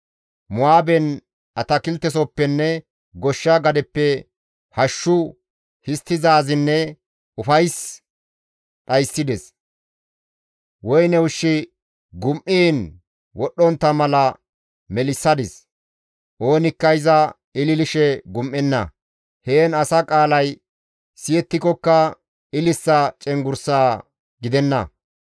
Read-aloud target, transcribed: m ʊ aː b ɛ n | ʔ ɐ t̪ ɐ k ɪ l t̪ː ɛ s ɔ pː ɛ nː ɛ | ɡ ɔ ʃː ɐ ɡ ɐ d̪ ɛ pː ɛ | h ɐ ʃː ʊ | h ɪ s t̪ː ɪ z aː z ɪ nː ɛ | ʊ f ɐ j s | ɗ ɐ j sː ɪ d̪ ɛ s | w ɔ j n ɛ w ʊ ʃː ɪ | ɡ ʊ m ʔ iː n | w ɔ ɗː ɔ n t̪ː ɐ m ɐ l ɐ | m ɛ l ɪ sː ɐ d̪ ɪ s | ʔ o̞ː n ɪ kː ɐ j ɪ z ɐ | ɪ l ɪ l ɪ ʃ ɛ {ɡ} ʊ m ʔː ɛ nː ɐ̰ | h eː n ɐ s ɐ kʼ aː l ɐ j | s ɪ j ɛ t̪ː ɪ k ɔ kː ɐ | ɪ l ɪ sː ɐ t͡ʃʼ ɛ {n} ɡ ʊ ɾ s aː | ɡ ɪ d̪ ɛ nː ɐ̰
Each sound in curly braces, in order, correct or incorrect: correct, incorrect: ŋ

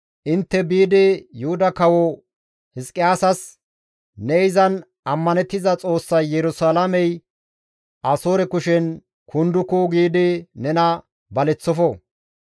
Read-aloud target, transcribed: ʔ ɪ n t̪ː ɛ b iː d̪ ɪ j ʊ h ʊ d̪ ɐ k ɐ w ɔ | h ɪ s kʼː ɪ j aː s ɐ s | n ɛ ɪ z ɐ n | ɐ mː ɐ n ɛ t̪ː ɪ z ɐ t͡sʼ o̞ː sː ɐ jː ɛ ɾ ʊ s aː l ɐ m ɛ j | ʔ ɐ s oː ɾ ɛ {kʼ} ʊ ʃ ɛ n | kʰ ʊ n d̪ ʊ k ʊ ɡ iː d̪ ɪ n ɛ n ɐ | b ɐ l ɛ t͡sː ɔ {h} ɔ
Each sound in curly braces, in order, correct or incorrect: incorrect: k, incorrect: f

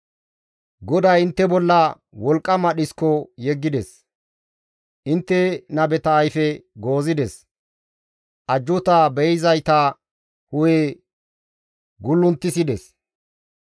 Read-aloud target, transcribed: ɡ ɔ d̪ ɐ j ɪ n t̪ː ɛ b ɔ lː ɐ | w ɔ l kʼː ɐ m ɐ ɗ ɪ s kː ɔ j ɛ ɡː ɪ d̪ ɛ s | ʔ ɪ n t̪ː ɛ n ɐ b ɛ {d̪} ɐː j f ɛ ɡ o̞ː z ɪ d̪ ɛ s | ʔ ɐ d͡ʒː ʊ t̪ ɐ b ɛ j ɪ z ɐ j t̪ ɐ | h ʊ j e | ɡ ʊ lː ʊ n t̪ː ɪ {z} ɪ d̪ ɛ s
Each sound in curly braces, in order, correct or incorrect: incorrect: t̪, incorrect: s

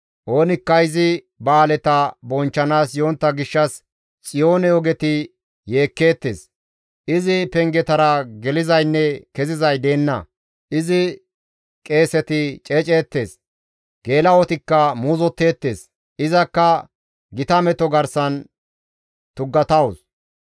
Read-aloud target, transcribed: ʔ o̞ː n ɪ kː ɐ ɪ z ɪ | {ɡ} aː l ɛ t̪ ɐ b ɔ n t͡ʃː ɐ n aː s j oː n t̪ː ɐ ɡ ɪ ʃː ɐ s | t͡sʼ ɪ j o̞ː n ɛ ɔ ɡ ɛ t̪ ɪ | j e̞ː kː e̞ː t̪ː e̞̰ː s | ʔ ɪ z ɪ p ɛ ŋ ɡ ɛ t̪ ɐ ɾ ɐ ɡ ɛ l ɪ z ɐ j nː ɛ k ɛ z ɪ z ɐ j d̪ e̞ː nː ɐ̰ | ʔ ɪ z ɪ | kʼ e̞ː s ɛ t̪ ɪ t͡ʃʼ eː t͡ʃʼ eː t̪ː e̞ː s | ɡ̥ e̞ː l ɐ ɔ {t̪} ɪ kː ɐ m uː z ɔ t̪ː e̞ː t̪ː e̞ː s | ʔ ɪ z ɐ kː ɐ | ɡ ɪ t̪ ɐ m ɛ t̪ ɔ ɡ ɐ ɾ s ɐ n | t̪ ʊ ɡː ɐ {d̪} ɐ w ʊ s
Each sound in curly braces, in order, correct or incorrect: incorrect: b, correct, incorrect: t̪

